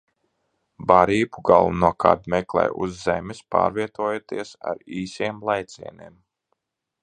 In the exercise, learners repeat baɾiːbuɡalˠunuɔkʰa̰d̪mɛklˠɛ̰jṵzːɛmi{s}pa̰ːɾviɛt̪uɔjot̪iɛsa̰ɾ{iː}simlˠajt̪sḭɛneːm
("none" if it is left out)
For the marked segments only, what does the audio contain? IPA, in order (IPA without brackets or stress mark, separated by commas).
s, iː